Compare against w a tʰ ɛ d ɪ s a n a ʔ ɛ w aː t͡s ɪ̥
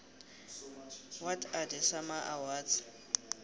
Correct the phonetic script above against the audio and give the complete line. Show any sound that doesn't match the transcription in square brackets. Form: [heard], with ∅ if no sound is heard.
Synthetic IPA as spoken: w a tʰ [a] d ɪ s a [m] a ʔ [a] w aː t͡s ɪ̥